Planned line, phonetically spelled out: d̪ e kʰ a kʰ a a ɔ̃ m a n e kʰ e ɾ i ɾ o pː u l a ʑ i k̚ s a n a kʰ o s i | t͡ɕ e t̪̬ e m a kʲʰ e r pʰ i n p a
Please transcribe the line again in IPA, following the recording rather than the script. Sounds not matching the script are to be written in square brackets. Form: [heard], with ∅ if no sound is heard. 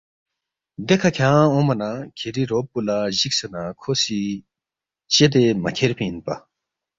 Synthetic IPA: d̪ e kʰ a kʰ a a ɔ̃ m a n [a] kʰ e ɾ i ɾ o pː u l a ʑ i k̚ s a n a kʰ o s i | t͡ɕ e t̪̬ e m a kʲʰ e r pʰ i n p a

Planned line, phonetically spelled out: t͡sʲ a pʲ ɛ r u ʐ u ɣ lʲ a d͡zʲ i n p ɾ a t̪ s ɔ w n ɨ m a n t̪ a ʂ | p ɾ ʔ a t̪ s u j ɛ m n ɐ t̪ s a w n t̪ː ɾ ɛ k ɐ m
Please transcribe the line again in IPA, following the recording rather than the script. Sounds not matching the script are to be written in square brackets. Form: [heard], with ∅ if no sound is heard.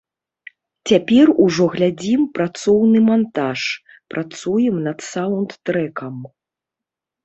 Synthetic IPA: t͡sʲ a pʲ ɛ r u ʐ [ɔ] ɣ lʲ a d͡zʲ i [m] p ɾ a t̪ s ɔ w n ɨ m a n t̪ a ʂ | p ɾ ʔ a t̪ s u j ɛ m n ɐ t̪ s a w n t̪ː ɾ ɛ k ɐ m

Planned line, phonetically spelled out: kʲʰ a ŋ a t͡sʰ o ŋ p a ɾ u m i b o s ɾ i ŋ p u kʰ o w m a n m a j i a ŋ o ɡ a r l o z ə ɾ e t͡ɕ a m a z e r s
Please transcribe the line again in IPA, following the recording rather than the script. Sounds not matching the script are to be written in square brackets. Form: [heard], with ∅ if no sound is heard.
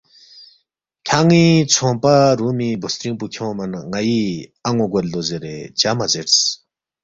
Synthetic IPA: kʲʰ a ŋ [i] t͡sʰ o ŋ p a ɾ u m i b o s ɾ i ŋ p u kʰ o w m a n [ŋ] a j i a ŋ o ɡ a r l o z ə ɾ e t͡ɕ a m a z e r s

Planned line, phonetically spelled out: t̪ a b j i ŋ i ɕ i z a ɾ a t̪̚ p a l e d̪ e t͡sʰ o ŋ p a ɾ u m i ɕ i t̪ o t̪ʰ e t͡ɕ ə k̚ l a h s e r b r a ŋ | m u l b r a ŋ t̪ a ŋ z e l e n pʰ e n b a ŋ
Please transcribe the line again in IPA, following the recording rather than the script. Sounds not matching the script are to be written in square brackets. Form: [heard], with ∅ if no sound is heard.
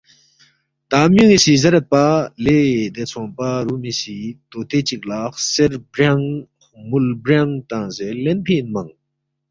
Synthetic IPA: t̪ a [m] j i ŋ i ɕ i z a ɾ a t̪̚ p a l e d̪ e t͡sʰ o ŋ p a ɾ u m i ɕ i t̪ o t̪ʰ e t͡ɕ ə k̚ l a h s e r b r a ŋ | m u l b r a ŋ t̪ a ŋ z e l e n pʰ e n [m] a ŋ

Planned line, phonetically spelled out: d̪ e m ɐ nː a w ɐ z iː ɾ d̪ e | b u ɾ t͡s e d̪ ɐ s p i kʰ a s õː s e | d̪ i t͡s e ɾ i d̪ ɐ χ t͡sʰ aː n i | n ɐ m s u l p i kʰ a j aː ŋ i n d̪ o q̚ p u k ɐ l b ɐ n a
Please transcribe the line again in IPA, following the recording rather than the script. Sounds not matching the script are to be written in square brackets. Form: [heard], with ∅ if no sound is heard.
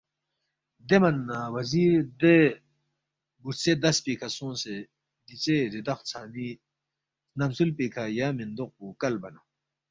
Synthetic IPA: d̪ e m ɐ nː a w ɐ z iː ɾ d̪ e | b u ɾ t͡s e d̪ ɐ s p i kʰ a s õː s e | d̪ i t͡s e ɾ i d̪ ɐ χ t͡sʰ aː n i | n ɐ m s u l p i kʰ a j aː [m] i n d̪ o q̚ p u k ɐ l b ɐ n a

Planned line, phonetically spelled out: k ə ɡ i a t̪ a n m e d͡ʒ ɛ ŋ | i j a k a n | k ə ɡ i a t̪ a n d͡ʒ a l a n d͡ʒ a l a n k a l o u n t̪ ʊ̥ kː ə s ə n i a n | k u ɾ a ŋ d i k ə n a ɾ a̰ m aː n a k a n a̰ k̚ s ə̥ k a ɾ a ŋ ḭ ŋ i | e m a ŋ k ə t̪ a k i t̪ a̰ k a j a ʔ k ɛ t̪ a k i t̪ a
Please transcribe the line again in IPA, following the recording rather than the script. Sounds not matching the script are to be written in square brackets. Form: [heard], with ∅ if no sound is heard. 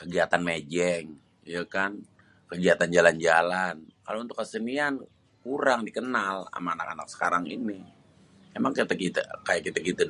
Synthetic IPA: k ə ɡ i a t̪ a n m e d͡ʒ ɛ ŋ | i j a k a n | k ə ɡ i a t̪ a n d͡ʒ a l a n d͡ʒ a l a n k a l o u n t̪ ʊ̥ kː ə s ə n i a n | k u ɾ a ŋ d i k ə n a [l] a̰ m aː n a k a n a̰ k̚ s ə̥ k a ɾ a ŋ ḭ [n] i | e m a ŋ k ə t̪ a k i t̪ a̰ k a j a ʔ k [i] t̪ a k i t̪ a

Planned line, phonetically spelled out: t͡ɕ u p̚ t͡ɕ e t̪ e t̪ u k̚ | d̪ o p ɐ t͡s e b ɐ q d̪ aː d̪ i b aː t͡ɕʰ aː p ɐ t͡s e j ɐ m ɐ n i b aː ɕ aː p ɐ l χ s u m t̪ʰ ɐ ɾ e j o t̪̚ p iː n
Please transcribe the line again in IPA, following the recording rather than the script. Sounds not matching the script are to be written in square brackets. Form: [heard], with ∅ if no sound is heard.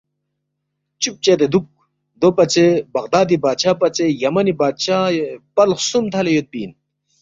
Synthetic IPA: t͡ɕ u p̚ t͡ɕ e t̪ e [d̪] u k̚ | d̪ o p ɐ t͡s e b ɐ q d̪ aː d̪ i b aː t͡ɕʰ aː p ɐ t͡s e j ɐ m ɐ n i b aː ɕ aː p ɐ l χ s u m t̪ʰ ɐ [l] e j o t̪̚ p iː n

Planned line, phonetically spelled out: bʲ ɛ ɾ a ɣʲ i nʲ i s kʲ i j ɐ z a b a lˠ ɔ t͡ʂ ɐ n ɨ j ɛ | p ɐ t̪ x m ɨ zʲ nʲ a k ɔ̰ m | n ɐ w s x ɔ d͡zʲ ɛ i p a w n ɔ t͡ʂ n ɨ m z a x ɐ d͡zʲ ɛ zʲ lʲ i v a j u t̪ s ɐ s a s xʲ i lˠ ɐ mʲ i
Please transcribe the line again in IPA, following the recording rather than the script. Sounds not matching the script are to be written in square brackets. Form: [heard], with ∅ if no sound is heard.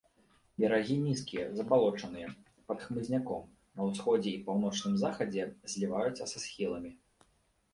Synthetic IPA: bʲ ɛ ɾ a ɣʲ i nʲ i s kʲ i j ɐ z [ɐ] b a lˠ ɔ t͡ʂ ɐ n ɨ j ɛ | p ɐ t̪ x m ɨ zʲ nʲ a k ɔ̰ m | n ɐ w s x ɔ d͡zʲ ɛ i p a w n ɔ t͡ʂ n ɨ m z a x ɐ d͡zʲ ɛ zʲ lʲ i v a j u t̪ s ɐ s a s xʲ i lˠ ɐ mʲ i

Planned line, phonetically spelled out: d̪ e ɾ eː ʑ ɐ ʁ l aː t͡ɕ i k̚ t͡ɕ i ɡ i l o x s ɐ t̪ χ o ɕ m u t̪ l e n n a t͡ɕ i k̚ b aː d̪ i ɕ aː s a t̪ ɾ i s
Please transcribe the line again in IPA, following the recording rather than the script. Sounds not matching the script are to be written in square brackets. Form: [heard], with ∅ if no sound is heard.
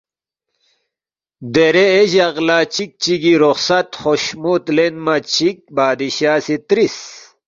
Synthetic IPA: d̪ e ɾ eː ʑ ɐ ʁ l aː t͡ɕ i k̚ t͡ɕ i ɡ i [ɾ] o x s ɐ t̪ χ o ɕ m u t̪ l e n [m] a t͡ɕ i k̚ b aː d̪ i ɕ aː s [i] t̪ ɾ i s

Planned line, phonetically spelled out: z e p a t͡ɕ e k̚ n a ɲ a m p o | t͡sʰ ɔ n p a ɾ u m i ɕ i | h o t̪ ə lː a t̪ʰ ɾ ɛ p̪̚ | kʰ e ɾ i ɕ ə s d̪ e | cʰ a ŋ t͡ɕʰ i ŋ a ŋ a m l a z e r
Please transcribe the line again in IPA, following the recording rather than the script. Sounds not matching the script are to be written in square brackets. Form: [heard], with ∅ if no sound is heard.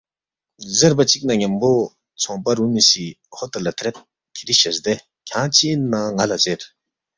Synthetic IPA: z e p a t͡ɕ [i] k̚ n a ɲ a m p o | t͡sʰ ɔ [ŋ] p a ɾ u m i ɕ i | h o t̪ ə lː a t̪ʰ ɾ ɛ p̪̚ | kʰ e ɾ i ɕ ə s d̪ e | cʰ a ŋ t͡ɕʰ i [n] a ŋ a [∅] l a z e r

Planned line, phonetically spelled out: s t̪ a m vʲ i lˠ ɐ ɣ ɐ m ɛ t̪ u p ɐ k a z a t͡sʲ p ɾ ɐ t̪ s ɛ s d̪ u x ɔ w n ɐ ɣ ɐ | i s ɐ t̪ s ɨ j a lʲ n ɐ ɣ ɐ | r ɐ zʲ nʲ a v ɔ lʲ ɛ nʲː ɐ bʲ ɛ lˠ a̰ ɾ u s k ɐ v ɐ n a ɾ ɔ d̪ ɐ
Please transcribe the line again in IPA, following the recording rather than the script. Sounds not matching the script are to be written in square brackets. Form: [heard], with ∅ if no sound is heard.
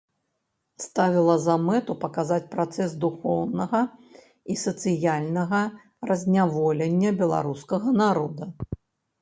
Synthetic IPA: s t̪ a [∅] vʲ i lˠ ɐ [z] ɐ m ɛ t̪ u p ɐ k a z a t͡sʲ p ɾ [a] t̪ s ɛ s d̪ u x ɔ w n ɐ ɣ ɐ | i s ɐ t̪ s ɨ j a lʲ n ɐ ɣ ɐ | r ɐ zʲ nʲ a v ɔ lʲ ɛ nʲː ɐ bʲ ɛ lˠ a̰ ɾ u s k ɐ [ɣ] ɐ n a ɾ ɔ d̪ ɐ

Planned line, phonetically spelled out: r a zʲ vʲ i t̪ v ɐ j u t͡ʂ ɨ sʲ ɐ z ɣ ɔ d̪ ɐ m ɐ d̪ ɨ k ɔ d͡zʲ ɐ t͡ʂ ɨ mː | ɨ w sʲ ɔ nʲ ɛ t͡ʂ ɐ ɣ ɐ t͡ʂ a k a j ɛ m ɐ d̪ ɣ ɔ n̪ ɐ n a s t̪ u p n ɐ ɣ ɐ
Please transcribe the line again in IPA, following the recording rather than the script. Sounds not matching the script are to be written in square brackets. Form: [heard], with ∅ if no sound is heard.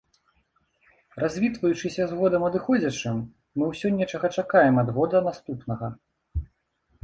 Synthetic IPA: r a zʲ vʲ i t̪ v ɐ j u t͡ʂ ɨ sʲ ɐ z ɣ ɔ d̪ ɐ m ɐ d̪ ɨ [x] ɔ d͡zʲ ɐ t͡ʂ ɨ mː | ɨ w sʲ ɔ nʲ ɛ t͡ʂ ɐ ɣ ɐ t͡ʂ a k a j ɛ m ɐ d̪ ɣ ɔ [d̪] ɐ n a s t̪ u p n ɐ ɣ ɐ

